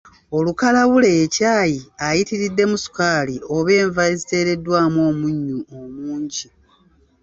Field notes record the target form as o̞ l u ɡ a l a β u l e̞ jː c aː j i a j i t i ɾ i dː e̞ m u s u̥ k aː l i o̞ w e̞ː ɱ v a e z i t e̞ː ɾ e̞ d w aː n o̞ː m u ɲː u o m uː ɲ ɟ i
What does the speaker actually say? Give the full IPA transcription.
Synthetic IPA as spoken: o̞ l u k a l a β u l e̞ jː c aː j i a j i t i ɾ i dː e̞ m u s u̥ k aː l i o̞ β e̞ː ɱ v a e z i t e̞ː ɾ e̞ d w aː m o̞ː m u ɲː u o m uː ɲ ɟ i